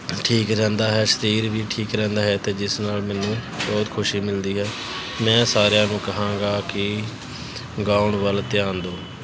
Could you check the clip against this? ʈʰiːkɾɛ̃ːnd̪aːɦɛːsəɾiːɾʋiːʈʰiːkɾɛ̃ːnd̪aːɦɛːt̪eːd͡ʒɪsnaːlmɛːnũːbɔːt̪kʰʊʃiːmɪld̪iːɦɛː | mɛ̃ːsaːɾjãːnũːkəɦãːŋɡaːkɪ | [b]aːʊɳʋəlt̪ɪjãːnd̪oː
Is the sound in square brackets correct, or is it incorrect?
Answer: incorrect